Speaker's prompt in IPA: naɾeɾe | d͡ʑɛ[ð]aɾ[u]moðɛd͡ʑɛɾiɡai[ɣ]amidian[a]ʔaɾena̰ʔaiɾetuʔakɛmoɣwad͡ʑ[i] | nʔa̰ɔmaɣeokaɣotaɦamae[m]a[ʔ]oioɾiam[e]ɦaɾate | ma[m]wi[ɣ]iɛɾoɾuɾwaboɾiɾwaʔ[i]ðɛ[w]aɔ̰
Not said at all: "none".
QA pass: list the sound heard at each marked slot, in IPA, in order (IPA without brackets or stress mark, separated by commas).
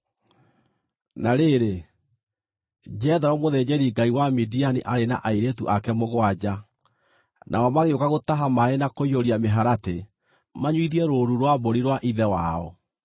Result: ð, ɔ, w, i, a, n, k, e, ɲ, ð, i, w